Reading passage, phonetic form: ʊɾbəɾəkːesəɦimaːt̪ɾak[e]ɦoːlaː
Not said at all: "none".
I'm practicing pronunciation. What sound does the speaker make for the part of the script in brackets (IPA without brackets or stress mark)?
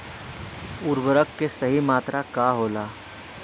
a